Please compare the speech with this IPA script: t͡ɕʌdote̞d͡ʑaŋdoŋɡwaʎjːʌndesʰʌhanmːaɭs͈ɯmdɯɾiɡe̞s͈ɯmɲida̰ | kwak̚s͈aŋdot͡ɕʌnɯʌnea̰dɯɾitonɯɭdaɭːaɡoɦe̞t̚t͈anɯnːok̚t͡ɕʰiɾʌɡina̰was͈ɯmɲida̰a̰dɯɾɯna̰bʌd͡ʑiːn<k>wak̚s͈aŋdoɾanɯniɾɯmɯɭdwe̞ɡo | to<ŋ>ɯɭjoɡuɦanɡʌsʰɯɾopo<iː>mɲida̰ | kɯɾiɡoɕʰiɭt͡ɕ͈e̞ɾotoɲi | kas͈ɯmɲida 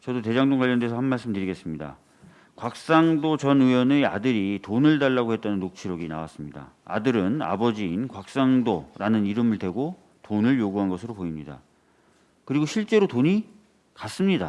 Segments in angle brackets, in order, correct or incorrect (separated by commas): correct, incorrect, incorrect